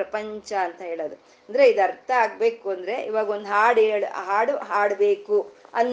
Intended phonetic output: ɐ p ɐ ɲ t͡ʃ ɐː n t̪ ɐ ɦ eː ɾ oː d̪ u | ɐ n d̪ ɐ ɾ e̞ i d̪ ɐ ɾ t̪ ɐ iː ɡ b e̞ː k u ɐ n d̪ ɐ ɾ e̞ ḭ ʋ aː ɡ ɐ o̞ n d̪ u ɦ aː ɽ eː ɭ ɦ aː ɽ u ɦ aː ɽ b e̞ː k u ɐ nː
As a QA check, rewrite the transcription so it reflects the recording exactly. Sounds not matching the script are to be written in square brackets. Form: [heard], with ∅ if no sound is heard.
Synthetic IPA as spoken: ɐ p ɐ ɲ t͡ʃ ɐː n t̪ ɐ ɦ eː [ɭ] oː d̪ u | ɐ n d̪ ɐ ɾ e̞ i d̪ ɐ ɾ t̪ ɐ [aː] ɡ b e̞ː k u ɐ n d̪ ɐ ɾ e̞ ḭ ʋ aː ɡ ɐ o̞ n d̪ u ɦ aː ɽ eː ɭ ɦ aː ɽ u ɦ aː ɽ b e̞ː k u ɐ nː